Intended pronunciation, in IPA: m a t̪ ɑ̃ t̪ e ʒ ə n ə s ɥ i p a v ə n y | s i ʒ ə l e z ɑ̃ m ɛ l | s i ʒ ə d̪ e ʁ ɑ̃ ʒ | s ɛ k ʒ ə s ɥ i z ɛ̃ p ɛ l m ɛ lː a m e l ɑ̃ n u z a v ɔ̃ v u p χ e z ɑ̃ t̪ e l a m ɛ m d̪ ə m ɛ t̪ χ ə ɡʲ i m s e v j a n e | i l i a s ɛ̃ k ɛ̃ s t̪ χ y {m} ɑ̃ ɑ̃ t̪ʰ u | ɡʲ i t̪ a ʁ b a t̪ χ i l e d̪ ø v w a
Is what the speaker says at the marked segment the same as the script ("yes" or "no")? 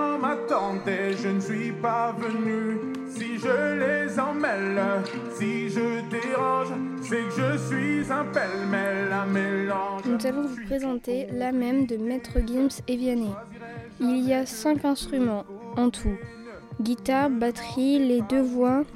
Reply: yes